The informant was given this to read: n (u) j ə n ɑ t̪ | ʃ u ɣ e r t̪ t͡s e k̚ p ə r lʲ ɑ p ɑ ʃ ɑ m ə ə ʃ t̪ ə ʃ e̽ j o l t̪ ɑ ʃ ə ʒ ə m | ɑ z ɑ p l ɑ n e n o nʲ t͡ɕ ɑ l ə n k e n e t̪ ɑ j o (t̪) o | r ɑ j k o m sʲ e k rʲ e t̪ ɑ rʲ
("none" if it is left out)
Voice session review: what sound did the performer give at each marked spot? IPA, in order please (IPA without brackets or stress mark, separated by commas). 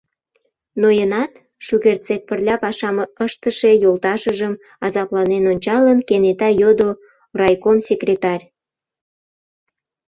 o, d̪